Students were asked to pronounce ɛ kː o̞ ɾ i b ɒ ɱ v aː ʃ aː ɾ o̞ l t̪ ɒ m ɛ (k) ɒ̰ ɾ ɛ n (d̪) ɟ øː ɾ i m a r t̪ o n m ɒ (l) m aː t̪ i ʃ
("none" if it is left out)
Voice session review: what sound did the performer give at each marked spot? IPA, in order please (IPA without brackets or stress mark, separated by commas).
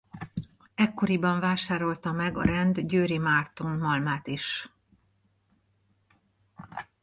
ɡ, d̪, l